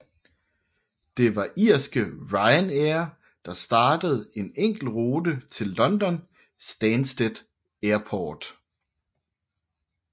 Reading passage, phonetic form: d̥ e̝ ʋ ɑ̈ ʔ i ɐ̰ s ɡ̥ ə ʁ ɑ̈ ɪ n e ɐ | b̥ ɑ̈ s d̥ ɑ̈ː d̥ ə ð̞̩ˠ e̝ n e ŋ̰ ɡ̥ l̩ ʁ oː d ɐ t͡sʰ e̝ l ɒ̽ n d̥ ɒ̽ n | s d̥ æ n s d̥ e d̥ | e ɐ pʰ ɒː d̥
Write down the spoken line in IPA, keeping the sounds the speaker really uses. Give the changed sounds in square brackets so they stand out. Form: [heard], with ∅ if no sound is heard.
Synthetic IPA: d̥ e̝ ʋ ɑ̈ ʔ i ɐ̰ s ɡ̥ ə ʁ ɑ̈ ɪ n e ɐ | [d̥] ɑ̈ s d̥ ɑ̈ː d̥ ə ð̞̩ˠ e̝ n e ŋ̰ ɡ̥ l̩ ʁ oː d [ə] t͡sʰ e̝ [lː] ɒ̽ n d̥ ɒ̽ n | s d̥ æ n s d̥ e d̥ | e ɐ pʰ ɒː d̥